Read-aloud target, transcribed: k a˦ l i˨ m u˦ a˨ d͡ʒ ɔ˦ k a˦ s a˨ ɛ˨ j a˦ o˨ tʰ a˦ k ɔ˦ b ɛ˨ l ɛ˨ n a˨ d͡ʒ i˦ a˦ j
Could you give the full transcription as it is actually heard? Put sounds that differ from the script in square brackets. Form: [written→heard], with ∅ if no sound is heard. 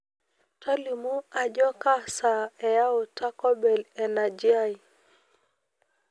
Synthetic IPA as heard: [k→t] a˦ l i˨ m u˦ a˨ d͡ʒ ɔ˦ k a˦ s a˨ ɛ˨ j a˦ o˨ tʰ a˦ k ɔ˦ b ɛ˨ l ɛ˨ n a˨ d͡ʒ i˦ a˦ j

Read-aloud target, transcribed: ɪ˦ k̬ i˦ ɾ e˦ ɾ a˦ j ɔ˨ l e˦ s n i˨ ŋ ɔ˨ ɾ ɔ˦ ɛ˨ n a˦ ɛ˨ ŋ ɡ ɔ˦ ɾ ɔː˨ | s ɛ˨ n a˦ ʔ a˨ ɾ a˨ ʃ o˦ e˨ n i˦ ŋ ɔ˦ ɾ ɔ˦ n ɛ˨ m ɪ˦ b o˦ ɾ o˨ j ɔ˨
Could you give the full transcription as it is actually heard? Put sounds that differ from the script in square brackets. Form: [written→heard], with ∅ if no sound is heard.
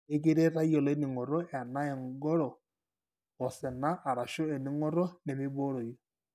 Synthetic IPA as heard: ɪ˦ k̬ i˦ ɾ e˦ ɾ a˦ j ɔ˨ l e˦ [s→∅] n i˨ ŋ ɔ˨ ɾ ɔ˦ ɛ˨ n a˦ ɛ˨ ŋ ɡ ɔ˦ ɾ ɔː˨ | s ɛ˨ n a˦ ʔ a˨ ɾ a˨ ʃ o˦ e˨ n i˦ ŋ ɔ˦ ɾ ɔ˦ n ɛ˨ m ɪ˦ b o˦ ɾ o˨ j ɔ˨

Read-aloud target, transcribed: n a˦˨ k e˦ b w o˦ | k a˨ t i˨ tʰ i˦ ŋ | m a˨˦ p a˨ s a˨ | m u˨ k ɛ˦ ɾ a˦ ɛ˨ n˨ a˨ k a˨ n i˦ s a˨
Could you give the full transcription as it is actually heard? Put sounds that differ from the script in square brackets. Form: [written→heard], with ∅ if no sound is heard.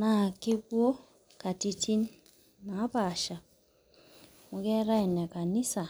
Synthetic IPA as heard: n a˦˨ k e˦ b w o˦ | k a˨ t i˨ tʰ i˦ [ŋ→n] | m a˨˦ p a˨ [s→ʃ] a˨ | m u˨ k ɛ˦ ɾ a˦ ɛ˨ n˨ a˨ k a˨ n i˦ s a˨

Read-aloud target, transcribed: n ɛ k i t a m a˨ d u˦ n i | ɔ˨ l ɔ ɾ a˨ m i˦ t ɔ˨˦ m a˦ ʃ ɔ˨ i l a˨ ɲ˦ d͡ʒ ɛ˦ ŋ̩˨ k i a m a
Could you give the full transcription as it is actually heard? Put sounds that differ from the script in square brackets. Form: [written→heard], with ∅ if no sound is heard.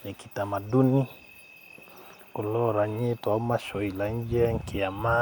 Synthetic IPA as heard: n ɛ k i t a m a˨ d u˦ n i | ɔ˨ l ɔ ɾ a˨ [m→ɲ] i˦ t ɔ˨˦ m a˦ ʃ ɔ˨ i l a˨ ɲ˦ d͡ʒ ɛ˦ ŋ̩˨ k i a m a

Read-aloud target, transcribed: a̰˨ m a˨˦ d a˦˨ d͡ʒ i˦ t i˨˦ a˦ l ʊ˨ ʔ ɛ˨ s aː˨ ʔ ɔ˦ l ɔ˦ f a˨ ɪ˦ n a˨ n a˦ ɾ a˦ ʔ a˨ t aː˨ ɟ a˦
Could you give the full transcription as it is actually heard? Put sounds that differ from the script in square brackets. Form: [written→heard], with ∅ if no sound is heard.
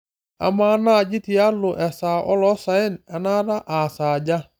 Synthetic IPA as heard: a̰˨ m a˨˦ [d→n] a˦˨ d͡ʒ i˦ t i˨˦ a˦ l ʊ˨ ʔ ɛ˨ s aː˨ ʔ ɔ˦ l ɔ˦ [f→s] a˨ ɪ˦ n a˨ n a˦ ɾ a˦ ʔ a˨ [t→s] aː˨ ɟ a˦

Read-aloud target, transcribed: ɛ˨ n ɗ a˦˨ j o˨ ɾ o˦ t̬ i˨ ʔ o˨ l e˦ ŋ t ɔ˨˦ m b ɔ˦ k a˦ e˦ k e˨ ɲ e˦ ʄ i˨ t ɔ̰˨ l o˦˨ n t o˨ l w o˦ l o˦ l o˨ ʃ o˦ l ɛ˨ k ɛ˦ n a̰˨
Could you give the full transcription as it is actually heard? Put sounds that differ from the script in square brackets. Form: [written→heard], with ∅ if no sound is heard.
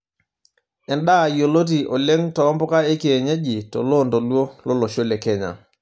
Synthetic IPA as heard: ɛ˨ n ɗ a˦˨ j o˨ [ɾ→l] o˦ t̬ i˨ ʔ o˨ l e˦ ŋ t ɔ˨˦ m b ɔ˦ k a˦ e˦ k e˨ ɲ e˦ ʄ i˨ t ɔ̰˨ l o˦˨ n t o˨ l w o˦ l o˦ l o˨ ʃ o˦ l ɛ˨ k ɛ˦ [n→ɲ] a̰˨

